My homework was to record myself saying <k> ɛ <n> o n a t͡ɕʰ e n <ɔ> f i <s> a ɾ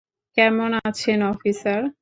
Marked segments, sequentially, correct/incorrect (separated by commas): correct, incorrect, correct, correct